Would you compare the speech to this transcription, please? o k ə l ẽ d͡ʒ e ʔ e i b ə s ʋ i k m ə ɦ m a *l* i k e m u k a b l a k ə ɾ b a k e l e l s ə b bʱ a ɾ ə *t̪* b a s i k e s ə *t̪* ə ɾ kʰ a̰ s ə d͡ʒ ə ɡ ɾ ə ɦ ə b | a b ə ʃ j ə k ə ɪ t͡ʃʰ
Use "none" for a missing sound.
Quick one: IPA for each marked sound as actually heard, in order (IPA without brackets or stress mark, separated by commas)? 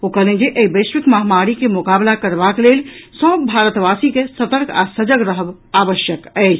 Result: ɾ, t̪, t̪